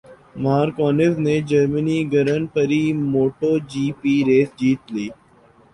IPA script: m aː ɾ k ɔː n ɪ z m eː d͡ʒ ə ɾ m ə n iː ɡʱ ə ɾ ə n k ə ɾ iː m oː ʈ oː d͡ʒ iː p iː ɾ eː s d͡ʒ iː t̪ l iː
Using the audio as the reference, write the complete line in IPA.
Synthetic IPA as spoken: m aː ɾ k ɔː n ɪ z n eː d͡ʒ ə ɾ m ə n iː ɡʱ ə ɾ ə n p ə ɾ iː m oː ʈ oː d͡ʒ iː p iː ɾ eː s d͡ʒ iː t̪ l iː